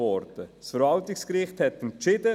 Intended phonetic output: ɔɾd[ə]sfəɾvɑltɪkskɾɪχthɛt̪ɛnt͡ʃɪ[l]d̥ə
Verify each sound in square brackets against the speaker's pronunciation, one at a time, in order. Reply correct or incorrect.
correct, incorrect

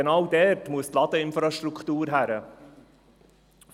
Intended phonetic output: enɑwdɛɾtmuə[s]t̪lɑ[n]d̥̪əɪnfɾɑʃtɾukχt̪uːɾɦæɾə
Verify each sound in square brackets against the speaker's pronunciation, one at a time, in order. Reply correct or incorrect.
correct, incorrect

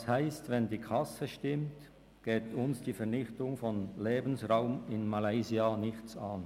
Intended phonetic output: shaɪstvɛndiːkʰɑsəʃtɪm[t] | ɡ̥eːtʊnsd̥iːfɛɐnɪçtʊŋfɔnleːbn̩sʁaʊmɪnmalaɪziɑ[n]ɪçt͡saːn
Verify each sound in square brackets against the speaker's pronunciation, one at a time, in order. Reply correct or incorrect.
correct, correct

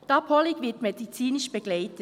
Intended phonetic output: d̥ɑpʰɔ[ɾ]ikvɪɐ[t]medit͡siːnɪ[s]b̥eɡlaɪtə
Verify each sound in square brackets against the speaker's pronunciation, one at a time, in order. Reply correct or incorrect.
incorrect, correct, incorrect

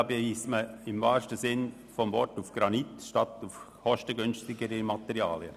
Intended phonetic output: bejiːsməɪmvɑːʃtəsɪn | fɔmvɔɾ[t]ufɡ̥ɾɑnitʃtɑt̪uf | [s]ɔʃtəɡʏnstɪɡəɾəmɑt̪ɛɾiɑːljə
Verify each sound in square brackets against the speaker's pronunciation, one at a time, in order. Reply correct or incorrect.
correct, incorrect

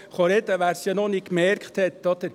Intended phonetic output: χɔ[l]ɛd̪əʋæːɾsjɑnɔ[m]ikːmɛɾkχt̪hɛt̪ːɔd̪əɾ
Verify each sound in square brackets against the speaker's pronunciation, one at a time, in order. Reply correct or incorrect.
incorrect, incorrect

